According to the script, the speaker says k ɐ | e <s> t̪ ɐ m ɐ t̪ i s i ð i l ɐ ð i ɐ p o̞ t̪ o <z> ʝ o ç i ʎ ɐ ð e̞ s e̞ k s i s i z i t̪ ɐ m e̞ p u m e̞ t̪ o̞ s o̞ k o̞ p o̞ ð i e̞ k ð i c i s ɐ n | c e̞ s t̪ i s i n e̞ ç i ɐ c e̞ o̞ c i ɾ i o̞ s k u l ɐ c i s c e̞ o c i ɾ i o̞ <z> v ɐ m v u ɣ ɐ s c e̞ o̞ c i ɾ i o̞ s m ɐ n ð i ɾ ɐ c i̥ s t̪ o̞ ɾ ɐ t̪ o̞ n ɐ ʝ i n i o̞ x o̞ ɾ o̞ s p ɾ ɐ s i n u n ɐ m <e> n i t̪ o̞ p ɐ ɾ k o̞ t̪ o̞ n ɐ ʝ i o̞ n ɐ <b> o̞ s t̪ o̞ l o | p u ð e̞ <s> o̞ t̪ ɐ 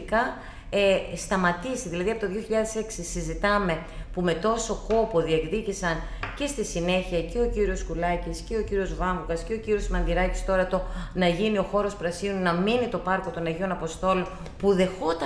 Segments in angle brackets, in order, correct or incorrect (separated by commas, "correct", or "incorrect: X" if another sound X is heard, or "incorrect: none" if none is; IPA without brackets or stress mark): correct, incorrect: ð, correct, incorrect: i, incorrect: p, incorrect: x